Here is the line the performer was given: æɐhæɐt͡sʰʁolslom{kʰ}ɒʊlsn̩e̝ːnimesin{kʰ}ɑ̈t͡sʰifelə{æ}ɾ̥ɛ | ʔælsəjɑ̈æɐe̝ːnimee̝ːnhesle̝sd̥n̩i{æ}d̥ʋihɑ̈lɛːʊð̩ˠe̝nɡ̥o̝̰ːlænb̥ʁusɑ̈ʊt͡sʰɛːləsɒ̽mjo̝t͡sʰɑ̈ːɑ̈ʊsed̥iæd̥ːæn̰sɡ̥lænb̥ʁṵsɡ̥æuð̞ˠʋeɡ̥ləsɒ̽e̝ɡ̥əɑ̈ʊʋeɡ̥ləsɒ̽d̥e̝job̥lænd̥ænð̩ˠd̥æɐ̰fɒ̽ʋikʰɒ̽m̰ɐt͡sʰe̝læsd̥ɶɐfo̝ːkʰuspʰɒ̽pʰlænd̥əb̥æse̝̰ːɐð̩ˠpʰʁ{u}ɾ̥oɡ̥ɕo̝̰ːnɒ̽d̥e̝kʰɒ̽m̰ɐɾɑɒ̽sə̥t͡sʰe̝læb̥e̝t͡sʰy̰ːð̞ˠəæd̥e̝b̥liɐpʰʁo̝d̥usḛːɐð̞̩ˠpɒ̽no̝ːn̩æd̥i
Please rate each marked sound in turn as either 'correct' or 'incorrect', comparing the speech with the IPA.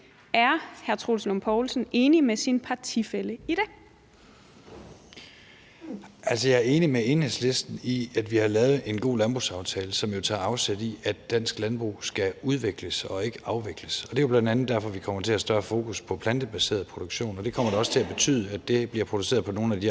incorrect: pʰ, incorrect: pʰ, incorrect: i, correct, incorrect: o

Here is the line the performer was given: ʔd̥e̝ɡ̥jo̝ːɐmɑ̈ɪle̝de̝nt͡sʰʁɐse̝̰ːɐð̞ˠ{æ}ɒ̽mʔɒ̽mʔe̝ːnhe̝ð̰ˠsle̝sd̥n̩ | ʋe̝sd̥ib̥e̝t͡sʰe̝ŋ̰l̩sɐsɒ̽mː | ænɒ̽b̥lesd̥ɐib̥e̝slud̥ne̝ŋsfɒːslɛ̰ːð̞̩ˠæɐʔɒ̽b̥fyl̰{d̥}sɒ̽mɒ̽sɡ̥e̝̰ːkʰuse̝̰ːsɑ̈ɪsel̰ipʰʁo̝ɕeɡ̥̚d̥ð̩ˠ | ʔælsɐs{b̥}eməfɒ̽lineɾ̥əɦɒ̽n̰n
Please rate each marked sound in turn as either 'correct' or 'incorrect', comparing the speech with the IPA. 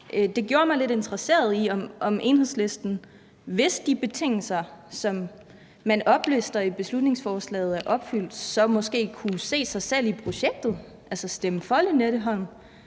incorrect: i, correct, incorrect: d̥

